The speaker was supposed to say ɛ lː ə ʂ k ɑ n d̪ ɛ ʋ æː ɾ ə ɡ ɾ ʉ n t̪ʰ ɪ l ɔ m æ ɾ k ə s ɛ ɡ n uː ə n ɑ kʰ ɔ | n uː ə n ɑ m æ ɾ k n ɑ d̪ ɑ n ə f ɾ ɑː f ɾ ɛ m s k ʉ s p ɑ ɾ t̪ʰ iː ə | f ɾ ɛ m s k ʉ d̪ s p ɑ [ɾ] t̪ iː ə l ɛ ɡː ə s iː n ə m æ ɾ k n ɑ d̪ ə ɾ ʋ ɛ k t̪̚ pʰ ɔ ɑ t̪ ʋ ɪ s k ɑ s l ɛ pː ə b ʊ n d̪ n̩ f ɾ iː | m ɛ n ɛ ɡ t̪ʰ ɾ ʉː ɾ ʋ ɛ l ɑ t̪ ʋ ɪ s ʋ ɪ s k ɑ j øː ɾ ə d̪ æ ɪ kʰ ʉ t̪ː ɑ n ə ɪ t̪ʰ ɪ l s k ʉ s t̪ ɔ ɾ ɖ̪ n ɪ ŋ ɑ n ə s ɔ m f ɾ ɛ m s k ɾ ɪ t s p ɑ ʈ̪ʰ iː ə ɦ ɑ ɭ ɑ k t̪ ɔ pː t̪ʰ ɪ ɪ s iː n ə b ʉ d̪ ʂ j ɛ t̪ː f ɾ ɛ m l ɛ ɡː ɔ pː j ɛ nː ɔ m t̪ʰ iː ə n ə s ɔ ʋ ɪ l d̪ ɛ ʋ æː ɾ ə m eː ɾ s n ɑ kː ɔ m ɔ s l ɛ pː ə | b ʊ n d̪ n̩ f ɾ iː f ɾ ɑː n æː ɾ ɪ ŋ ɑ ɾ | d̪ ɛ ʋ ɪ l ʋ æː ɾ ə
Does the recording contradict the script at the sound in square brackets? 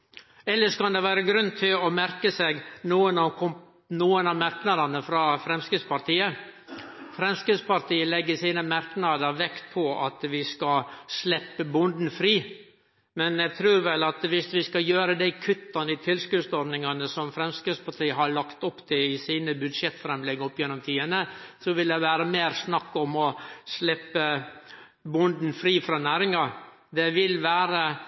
no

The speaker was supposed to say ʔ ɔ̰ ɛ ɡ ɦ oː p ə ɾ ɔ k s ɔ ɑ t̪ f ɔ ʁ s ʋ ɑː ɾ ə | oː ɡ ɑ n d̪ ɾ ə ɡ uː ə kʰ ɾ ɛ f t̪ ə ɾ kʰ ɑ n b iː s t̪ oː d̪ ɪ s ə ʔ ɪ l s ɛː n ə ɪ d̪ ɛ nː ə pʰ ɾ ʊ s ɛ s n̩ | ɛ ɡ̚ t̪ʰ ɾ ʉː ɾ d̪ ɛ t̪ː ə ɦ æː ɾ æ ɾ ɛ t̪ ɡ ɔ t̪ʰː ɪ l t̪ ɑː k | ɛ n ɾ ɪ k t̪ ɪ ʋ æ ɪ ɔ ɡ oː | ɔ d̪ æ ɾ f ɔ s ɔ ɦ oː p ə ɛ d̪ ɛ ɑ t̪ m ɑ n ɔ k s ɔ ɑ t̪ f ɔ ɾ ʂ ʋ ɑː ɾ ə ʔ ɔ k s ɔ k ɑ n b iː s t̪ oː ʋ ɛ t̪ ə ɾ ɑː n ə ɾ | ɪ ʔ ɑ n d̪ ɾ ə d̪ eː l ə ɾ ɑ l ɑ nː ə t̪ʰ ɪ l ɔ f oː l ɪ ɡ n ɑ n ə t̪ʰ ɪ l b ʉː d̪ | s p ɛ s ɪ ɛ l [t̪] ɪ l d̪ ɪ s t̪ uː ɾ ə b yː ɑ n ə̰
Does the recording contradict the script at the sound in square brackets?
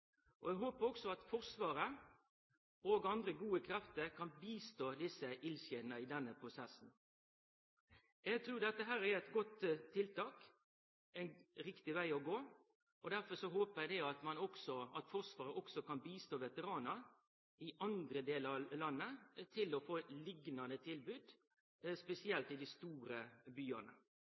no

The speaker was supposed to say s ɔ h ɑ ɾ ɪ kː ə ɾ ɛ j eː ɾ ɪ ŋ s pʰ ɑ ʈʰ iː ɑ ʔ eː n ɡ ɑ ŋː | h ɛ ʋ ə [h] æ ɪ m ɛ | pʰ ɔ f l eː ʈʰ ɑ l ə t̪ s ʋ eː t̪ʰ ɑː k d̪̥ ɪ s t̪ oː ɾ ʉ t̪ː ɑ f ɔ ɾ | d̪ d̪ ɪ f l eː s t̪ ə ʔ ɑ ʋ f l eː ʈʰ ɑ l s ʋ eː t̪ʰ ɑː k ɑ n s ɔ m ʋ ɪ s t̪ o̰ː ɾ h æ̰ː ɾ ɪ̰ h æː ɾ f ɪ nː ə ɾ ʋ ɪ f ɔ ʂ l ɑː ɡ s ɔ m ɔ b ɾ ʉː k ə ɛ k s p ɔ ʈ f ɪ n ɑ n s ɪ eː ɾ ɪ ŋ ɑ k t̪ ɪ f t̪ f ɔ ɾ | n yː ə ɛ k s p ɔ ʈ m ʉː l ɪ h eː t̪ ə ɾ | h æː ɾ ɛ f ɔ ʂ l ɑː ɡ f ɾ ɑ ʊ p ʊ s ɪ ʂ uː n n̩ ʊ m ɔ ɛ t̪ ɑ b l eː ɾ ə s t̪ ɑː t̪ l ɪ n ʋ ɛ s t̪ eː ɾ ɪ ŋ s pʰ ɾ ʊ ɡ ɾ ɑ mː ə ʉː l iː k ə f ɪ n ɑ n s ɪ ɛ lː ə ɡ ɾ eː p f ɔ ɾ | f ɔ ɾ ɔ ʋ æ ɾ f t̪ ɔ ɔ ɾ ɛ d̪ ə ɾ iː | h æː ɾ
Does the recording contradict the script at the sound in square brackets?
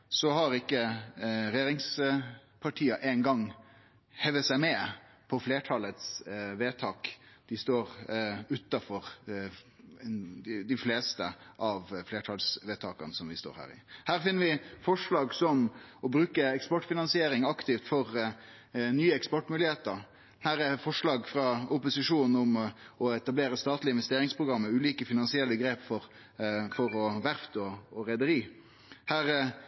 yes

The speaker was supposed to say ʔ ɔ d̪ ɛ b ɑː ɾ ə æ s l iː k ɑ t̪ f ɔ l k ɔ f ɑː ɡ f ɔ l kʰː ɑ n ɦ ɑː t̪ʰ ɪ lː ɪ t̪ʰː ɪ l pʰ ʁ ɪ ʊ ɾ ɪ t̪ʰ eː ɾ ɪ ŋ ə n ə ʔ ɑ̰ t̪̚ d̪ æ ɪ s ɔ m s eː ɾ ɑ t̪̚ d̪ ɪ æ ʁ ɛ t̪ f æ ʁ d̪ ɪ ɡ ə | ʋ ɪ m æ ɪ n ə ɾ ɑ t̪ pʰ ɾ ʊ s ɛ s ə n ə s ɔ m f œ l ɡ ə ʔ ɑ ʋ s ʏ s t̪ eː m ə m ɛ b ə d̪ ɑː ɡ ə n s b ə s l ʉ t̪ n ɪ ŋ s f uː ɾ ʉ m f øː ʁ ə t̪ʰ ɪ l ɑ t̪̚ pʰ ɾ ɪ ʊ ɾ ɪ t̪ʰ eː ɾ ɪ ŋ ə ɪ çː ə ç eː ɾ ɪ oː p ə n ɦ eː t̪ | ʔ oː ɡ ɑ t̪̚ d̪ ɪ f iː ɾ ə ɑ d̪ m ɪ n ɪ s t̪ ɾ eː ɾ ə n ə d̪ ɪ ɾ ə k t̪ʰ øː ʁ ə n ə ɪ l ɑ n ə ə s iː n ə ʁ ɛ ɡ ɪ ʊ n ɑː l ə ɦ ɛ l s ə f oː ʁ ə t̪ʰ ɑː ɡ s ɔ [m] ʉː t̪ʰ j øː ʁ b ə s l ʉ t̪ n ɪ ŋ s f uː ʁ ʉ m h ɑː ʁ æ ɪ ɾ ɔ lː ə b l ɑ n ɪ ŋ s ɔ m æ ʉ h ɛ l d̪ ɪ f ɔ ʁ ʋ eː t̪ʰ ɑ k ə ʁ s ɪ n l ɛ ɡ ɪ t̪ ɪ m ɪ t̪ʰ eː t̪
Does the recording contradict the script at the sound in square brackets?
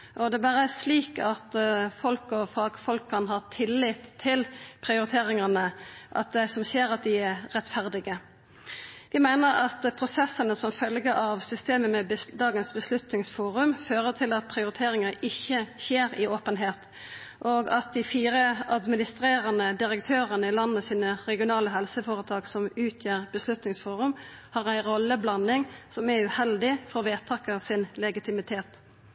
no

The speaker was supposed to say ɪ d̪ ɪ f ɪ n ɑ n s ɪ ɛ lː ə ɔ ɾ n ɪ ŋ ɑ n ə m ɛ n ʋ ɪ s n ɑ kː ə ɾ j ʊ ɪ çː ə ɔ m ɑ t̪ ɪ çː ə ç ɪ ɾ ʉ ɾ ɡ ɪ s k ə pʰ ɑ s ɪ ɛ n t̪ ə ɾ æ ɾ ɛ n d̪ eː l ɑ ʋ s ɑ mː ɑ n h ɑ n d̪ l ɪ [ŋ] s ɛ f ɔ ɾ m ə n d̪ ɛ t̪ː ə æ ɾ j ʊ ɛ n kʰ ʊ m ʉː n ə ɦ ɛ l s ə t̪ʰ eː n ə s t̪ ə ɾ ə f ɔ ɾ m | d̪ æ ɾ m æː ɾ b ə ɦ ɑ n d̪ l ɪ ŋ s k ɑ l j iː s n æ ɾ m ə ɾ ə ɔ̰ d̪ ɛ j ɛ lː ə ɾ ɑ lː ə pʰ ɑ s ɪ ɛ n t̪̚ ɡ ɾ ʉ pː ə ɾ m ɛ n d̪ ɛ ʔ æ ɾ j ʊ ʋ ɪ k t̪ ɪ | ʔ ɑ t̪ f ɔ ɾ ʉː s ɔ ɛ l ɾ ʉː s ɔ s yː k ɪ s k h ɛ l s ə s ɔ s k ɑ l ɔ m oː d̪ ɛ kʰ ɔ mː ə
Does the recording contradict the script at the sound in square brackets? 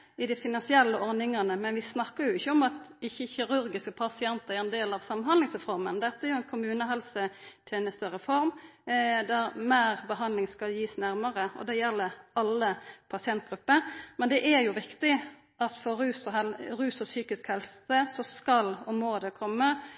no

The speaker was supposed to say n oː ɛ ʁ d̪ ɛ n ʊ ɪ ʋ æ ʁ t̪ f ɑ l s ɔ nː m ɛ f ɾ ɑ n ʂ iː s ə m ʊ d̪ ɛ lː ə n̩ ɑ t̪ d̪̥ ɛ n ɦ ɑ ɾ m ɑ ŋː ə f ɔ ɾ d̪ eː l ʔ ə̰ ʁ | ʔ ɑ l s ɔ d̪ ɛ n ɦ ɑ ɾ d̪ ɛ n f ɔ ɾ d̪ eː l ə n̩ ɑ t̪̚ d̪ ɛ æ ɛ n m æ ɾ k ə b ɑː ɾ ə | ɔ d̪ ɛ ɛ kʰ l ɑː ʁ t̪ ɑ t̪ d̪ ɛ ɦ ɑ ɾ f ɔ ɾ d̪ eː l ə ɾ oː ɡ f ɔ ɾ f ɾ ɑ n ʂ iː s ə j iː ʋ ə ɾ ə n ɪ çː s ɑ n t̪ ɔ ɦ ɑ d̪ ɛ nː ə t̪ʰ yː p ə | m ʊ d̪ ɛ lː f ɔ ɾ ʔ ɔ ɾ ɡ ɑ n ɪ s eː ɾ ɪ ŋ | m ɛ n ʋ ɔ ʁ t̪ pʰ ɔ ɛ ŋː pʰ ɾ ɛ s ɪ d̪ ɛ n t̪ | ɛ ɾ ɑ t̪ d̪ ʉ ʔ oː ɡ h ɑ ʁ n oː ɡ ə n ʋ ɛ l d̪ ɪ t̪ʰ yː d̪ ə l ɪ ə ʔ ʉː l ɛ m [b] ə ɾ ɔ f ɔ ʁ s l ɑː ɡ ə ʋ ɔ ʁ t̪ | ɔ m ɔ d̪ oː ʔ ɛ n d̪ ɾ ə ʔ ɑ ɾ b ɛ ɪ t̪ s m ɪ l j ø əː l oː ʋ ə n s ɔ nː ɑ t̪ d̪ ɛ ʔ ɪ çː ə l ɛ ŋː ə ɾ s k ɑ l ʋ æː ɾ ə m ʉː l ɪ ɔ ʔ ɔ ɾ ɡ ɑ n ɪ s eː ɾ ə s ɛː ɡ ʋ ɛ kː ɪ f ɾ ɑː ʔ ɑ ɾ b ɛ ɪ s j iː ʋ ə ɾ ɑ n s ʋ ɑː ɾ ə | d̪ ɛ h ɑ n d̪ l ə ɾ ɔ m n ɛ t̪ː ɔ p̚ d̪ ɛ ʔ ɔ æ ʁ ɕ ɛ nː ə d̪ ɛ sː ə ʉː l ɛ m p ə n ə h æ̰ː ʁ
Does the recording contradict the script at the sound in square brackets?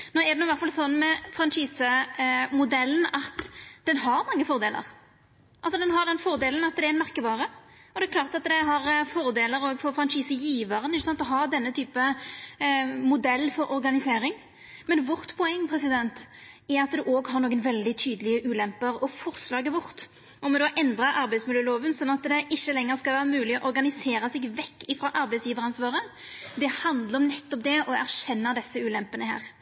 yes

